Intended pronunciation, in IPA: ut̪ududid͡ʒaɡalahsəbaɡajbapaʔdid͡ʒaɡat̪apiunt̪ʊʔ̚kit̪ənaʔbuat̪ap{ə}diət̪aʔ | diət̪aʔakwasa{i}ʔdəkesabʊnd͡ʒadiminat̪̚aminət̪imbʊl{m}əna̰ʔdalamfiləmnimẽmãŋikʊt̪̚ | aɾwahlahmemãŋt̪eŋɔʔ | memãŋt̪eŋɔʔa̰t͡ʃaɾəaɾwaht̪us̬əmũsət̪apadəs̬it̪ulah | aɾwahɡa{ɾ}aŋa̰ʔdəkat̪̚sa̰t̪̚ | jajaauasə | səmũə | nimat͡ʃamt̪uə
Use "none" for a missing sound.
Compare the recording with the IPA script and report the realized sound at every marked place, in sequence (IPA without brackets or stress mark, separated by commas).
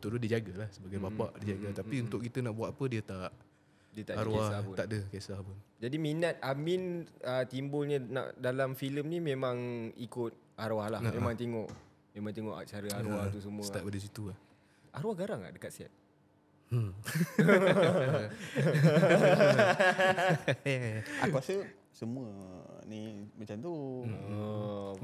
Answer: ə, a, ɲ, ɾ